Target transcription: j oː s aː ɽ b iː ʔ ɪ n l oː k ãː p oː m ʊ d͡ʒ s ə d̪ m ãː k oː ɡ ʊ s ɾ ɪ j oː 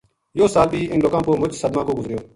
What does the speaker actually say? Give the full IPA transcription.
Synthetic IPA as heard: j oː s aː l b iː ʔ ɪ n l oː k ãː p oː m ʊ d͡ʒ s ə d̪ m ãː k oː ɡ ʊ z ɾ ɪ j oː